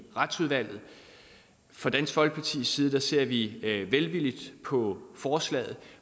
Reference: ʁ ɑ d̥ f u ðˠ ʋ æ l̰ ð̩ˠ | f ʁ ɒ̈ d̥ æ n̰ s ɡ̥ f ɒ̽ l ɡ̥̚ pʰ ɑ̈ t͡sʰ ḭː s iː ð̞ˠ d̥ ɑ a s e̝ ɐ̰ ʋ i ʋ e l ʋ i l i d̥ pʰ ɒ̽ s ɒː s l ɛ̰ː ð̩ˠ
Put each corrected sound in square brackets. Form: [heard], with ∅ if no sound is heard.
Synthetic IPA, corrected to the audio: ʁ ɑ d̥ [s] u ðˠ ʋ æ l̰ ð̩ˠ | f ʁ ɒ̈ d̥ æ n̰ s ɡ̥ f ɒ̽ l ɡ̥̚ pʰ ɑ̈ t͡sʰ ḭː s iː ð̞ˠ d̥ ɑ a s e̝ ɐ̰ ʋ i ʋ e l ʋ i l i d̥ pʰ ɒ̽ [f] ɒː s l ɛ̰ː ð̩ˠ